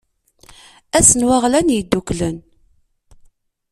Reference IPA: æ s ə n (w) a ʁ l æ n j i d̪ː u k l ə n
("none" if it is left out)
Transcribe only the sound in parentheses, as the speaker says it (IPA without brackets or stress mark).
w